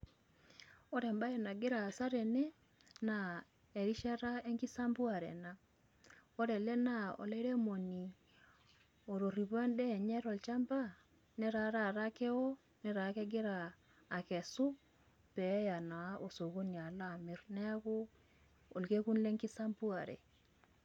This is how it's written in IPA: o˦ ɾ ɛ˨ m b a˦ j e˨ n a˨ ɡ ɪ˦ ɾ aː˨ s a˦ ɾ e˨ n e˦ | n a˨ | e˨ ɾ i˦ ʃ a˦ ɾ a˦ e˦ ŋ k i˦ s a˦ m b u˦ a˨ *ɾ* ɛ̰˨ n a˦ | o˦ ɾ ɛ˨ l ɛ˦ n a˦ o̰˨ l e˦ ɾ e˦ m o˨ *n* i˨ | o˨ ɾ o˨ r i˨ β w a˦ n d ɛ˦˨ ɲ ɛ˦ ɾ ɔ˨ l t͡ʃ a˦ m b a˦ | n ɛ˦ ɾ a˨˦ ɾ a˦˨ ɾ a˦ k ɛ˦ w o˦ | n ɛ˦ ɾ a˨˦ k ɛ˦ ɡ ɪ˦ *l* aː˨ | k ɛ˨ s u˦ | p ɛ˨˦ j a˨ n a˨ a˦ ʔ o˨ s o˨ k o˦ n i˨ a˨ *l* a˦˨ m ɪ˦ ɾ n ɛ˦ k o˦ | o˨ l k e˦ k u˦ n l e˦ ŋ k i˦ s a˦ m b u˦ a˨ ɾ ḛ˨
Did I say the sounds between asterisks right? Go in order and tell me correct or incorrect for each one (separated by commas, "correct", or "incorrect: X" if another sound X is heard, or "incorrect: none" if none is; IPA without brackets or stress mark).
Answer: correct, correct, incorrect: ɾ, correct